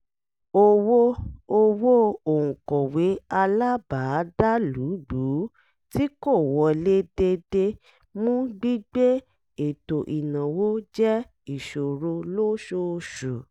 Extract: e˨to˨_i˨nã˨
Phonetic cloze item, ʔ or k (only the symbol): ʔ